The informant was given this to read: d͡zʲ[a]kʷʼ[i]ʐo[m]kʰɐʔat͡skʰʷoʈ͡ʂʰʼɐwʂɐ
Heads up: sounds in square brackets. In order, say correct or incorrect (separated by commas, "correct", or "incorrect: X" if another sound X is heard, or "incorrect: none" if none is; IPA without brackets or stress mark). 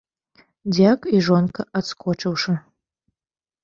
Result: correct, correct, incorrect: n